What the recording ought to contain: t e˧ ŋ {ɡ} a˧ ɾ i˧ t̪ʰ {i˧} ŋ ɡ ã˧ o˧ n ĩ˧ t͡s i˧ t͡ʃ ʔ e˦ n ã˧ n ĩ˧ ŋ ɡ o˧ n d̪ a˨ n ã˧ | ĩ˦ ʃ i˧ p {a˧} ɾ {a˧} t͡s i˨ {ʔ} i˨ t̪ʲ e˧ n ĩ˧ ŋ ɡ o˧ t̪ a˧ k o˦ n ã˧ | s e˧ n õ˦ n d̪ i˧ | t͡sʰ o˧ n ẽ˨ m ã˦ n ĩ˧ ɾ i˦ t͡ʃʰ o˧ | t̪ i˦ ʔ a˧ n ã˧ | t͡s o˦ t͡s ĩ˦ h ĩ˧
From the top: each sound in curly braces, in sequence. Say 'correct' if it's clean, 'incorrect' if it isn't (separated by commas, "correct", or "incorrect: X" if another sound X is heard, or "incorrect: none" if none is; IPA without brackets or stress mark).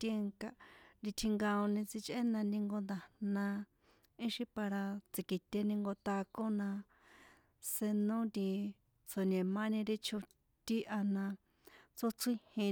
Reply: incorrect: k, correct, correct, correct, incorrect: k